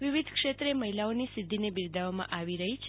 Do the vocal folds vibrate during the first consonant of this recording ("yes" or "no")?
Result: yes